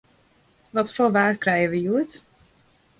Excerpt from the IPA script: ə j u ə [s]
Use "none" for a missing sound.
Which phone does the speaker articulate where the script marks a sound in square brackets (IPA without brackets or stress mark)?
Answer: t